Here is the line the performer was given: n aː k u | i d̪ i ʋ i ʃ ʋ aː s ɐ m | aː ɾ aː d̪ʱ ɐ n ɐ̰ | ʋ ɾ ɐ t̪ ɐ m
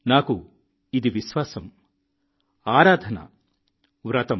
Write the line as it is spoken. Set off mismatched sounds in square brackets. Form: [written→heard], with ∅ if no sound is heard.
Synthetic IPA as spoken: n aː k u | i d̪ i ʋ i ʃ ʋ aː s ɐ m | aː ɾ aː d̪ʱ ɐ n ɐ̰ | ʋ ɾ ɐ t̪ ɐ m